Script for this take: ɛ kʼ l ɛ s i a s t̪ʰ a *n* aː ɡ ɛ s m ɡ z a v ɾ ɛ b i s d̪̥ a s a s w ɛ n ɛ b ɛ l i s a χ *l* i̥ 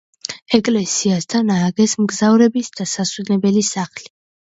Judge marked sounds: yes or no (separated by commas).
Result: yes, yes